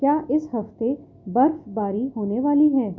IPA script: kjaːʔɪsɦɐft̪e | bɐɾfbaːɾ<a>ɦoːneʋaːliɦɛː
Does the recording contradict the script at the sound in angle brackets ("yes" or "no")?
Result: yes